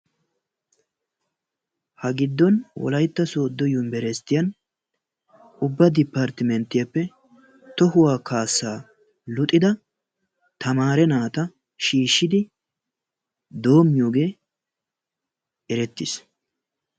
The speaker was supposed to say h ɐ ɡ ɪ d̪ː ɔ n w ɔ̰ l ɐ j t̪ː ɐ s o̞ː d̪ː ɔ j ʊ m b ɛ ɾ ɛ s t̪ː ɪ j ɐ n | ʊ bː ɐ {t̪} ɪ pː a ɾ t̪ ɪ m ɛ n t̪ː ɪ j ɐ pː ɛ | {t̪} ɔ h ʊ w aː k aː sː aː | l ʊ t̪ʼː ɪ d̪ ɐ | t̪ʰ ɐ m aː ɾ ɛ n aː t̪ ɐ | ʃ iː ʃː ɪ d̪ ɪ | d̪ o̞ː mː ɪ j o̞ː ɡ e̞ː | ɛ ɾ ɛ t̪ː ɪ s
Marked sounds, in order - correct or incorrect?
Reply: incorrect: d̪, correct

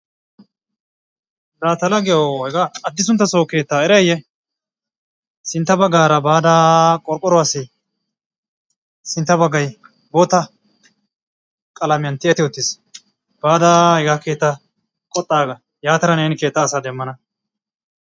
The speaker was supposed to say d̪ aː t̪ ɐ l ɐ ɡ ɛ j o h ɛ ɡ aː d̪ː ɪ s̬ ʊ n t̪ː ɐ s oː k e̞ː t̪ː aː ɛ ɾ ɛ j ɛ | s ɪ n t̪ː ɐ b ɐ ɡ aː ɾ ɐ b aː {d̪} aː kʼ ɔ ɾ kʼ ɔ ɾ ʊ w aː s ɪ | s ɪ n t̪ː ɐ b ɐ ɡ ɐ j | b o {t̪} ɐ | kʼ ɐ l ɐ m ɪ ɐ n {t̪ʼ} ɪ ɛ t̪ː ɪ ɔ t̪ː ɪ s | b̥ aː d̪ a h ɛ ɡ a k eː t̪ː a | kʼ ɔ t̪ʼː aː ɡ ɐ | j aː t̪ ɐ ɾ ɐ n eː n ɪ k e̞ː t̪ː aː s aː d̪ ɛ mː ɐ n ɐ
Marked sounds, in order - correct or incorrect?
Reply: correct, correct, incorrect: t̪

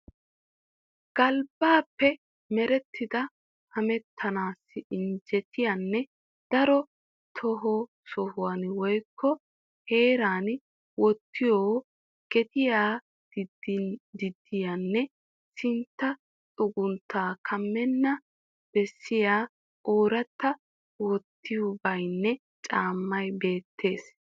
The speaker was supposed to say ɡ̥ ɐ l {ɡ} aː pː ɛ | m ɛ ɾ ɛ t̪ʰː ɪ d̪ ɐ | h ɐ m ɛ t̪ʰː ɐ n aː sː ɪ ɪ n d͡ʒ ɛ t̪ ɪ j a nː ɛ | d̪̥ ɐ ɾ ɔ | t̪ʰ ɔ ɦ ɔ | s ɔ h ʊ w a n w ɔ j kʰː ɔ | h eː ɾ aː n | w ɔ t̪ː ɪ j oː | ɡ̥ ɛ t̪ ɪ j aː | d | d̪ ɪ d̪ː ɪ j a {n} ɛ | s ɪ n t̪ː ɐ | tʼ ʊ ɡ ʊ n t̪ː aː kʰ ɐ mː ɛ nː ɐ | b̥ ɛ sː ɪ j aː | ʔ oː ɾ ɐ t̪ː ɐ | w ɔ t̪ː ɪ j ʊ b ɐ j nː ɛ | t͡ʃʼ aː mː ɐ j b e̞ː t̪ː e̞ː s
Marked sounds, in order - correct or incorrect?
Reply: incorrect: b, incorrect: nː

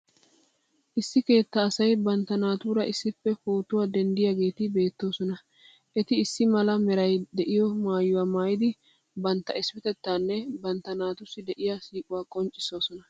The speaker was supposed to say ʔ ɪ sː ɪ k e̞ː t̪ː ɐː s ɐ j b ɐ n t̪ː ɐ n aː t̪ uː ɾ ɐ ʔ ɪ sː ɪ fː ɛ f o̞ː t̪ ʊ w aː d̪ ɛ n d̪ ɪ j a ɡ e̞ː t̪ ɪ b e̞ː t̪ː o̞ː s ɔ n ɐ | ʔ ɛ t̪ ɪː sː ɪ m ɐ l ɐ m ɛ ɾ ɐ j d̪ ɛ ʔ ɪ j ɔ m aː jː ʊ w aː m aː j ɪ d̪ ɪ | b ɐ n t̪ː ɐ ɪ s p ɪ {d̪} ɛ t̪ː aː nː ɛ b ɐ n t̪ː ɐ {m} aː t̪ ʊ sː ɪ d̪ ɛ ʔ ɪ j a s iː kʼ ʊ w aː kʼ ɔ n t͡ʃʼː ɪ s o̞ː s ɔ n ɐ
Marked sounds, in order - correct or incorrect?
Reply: incorrect: t̪, incorrect: n

